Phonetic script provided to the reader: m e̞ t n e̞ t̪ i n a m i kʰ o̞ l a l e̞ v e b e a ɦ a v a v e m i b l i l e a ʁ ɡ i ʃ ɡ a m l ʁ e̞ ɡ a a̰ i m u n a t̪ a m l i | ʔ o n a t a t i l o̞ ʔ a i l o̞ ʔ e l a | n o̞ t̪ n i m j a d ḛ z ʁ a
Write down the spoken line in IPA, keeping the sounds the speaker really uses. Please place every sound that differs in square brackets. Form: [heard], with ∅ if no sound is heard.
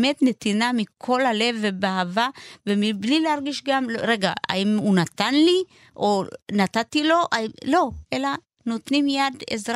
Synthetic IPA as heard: m e̞ t n e̞ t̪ i n a m i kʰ o̞ l a l e̞ v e b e a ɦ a v a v e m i b l i l e a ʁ ɡ i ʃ ɡ a m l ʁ e̞ ɡ a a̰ i m u n a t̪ a [n] l i | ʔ o n a t a t i l o̞ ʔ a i l o̞ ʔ e l a | n o̞ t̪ n i m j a d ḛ z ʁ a